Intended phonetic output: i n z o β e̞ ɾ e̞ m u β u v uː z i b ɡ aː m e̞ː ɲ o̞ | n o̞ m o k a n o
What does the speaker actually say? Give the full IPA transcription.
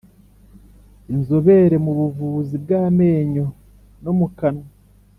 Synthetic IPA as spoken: i n z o β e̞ ɾ e̞ m u β u v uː z i b ɡ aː m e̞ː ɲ o̞ | n o̞ m u k a n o